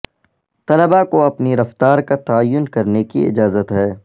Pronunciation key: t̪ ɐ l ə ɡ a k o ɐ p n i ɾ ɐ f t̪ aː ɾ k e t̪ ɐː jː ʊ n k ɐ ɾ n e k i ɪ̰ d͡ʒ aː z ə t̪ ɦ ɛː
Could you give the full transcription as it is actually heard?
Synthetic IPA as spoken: t̪ ɐ l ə b a k o ɐ p n i ɾ ɐ f t̪ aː ɾ k a t̪ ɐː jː ʊ n k ɐ ɾ n e k i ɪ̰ d͡ʒ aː z ə t̪ ɦ ɛː